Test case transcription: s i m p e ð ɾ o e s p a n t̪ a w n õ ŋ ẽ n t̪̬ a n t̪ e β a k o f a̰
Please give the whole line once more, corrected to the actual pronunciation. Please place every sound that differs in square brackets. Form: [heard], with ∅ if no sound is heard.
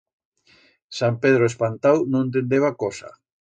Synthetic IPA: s [a] m p e ð ɾ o e s p a n t̪ a w n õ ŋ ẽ n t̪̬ [e] n [d̪] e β a k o [s] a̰